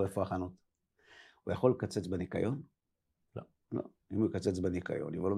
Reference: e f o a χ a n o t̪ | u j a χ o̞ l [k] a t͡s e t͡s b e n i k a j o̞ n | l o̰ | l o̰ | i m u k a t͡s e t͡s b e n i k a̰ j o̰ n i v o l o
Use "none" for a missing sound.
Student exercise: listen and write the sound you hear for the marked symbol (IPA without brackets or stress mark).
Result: k